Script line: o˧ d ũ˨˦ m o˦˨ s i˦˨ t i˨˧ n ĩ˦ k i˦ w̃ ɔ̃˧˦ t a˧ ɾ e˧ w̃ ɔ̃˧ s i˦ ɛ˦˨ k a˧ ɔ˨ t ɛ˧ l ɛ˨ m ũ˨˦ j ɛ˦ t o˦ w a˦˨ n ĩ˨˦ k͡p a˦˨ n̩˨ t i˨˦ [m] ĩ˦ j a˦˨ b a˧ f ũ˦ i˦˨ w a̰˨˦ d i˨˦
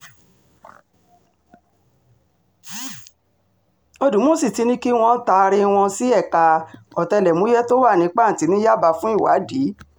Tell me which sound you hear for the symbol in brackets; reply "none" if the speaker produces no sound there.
n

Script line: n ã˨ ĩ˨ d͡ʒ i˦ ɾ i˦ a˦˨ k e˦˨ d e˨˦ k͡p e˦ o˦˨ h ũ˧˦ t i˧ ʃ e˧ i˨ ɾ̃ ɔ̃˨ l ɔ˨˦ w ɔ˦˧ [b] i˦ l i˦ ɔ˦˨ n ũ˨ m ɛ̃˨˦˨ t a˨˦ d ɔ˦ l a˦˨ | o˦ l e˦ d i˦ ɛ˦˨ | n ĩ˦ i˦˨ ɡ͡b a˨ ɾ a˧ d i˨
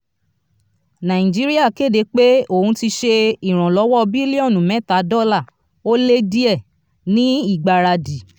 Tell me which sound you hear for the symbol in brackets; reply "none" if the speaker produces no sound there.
b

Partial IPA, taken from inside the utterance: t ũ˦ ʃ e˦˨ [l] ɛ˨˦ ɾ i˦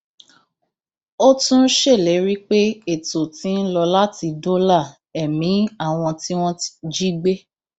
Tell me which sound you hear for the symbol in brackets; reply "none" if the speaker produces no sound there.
l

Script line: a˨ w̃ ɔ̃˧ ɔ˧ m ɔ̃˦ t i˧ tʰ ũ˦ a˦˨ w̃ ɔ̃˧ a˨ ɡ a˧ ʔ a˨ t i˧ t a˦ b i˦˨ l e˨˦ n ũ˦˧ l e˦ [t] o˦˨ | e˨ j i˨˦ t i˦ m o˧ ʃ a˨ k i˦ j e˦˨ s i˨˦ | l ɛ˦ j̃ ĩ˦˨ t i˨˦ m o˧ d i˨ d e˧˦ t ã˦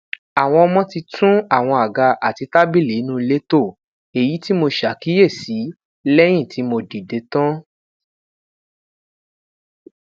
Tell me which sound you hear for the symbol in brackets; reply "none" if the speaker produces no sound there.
t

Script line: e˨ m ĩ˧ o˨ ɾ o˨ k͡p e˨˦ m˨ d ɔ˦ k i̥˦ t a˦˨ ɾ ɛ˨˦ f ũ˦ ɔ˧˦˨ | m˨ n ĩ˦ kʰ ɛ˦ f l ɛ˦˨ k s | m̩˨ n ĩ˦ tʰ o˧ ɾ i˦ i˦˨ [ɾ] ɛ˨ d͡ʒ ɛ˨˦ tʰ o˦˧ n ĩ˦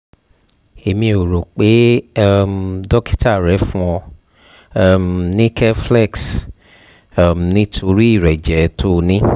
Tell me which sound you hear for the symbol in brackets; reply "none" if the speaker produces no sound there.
ɾ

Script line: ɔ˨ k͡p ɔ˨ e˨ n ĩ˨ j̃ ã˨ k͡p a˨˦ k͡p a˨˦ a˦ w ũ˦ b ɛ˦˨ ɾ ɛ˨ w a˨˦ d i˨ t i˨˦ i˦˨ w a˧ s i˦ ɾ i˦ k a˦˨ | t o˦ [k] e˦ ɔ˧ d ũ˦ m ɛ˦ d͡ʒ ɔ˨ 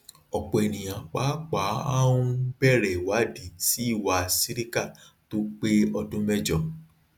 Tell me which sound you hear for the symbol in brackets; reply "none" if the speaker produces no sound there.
k͡p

